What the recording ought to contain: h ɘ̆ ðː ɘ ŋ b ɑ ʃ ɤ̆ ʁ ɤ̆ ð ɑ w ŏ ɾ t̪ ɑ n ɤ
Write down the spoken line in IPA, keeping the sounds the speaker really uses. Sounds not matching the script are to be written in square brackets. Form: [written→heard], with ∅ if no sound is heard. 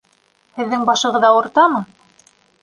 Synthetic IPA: h ɘ̆ ðː ɘ ŋ b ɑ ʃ ɤ̆ ʁ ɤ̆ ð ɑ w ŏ ɾ t̪ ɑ [n→m] ɤ